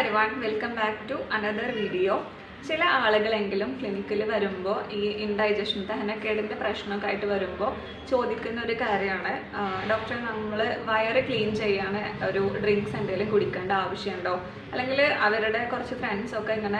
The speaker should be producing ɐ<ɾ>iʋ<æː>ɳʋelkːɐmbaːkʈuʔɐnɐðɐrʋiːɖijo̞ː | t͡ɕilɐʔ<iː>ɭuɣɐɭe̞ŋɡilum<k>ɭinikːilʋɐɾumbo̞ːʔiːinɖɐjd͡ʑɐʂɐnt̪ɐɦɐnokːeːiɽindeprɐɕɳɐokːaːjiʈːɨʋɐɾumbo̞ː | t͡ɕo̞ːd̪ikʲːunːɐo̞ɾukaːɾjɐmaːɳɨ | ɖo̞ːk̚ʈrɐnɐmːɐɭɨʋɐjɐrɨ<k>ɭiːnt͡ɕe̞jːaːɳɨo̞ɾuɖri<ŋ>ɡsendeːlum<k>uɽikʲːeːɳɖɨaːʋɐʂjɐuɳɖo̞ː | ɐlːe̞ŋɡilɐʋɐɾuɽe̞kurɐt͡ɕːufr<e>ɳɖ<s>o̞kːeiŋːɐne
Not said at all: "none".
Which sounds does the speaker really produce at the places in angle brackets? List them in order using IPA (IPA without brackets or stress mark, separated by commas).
ɾ, aː, aː, k, k, ŋ, k, e, s